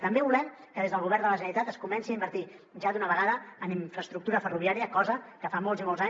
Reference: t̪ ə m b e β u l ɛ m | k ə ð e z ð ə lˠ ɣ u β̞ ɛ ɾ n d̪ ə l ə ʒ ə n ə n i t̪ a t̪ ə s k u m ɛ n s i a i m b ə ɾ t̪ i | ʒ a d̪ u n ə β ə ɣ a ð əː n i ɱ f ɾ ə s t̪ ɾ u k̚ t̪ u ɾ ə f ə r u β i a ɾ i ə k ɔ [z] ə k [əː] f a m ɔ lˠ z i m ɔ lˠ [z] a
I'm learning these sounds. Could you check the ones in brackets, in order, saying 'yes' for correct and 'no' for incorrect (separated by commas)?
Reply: yes, no, yes